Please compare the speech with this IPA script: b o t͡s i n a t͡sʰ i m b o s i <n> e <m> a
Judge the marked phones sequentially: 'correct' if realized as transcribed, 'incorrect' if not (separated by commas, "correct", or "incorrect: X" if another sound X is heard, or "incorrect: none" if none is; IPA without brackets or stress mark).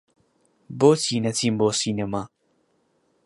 correct, correct